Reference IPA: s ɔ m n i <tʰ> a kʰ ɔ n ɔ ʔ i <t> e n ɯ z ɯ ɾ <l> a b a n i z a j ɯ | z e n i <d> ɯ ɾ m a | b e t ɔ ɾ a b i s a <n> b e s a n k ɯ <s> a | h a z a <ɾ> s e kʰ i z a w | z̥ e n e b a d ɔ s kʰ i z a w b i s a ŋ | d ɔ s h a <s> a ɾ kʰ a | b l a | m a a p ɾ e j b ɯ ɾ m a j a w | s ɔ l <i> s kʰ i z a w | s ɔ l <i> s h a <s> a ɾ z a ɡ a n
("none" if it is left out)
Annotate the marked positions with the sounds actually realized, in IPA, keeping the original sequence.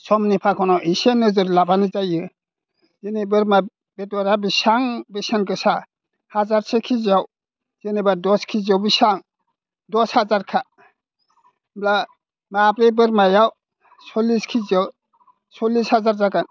pʰ, s, l, b, ŋ, s, ɾ, z, i, i, z

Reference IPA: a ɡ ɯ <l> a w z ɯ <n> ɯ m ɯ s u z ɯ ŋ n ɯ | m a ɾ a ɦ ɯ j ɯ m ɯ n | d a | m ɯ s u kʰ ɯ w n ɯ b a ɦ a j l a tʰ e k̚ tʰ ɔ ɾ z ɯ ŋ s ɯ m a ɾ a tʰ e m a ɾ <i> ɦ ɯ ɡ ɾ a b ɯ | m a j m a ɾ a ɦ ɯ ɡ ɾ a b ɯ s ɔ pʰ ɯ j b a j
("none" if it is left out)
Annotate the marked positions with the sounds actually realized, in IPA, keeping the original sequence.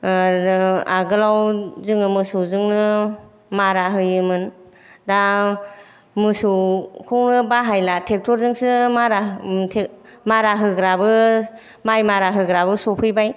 l, ŋ, a

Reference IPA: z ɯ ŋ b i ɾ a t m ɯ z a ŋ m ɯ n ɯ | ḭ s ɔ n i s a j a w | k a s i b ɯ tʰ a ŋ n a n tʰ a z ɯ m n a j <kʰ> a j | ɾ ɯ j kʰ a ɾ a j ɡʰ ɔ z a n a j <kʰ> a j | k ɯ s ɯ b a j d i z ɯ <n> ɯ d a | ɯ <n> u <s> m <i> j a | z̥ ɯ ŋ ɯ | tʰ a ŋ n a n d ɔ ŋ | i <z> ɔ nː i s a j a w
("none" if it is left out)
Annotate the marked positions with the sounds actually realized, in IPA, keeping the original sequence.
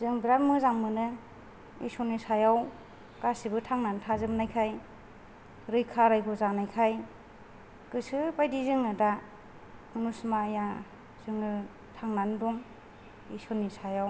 kʰ, kʰ, ŋ, n, s, a, s

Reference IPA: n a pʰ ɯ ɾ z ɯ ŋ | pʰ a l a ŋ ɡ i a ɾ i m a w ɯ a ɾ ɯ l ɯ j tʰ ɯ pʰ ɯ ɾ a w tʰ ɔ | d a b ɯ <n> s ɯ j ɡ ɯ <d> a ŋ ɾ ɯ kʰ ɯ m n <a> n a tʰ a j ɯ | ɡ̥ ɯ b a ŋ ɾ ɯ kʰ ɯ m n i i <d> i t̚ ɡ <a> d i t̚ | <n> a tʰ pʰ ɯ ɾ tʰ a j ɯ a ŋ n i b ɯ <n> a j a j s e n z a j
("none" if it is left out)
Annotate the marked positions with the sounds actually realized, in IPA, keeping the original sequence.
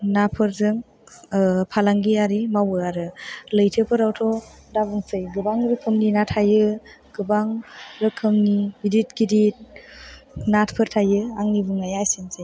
ŋ, b, i, d, i, n, ŋ

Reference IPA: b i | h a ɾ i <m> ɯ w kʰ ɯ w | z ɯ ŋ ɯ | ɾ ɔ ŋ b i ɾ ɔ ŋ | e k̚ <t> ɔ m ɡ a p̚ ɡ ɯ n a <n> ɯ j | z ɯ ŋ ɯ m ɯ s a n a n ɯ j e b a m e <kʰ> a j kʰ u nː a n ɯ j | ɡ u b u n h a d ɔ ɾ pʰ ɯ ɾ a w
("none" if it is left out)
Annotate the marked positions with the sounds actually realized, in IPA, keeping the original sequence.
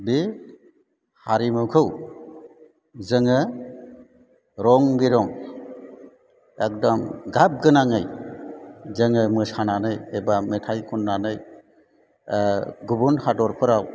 m, d, ŋ, tʰ

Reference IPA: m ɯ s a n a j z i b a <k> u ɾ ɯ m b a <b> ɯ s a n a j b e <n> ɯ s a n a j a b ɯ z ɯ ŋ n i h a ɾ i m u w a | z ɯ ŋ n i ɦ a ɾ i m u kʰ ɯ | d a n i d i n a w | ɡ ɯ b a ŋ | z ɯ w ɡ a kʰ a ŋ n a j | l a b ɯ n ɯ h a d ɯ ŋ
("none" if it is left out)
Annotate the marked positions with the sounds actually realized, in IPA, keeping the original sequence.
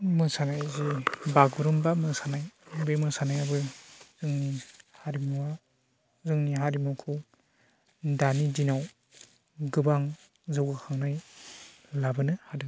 ɡ, m, m

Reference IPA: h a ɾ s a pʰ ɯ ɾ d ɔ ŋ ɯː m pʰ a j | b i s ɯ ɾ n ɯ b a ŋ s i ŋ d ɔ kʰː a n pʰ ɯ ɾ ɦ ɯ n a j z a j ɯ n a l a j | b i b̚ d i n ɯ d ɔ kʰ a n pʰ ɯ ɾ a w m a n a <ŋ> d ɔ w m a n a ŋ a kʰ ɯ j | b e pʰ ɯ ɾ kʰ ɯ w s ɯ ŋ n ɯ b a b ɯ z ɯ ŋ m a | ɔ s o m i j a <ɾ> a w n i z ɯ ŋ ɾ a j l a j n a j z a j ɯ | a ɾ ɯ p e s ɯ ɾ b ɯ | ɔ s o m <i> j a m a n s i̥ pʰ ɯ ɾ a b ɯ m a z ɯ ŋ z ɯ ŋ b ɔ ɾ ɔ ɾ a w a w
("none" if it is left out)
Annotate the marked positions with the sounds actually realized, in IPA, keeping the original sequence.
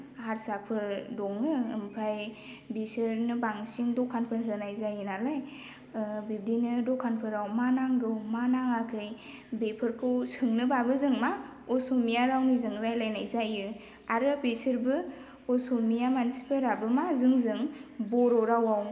ŋ, ɾ, i

